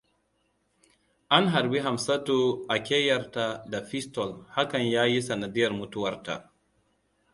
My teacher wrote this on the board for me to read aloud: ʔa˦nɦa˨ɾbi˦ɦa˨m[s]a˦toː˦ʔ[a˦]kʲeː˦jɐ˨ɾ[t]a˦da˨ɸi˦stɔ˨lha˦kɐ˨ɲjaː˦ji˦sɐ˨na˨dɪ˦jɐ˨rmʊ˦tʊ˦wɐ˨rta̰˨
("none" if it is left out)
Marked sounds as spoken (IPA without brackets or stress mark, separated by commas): s, a˨, t